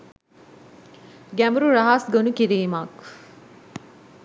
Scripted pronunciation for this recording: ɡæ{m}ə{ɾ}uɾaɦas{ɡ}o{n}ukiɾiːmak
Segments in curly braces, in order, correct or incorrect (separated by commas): correct, correct, correct, correct